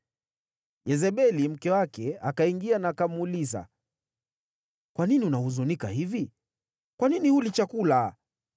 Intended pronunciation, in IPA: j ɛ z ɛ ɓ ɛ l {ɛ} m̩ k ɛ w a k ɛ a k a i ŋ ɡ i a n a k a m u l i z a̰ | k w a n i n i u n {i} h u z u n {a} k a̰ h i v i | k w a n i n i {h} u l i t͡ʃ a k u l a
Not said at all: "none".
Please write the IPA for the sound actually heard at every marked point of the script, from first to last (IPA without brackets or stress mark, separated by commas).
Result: i, a, i, h